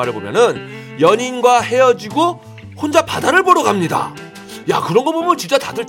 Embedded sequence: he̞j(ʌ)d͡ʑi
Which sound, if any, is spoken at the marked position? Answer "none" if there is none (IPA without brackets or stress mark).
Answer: ʌ